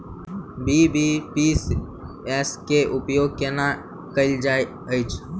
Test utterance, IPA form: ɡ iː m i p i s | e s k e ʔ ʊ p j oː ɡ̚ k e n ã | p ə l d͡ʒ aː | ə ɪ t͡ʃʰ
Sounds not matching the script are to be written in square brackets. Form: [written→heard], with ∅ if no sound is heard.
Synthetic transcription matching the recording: [ɡ→b] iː [m→b] i p i s | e s k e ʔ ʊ p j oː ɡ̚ k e n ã | [p→k] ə l d͡ʒ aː | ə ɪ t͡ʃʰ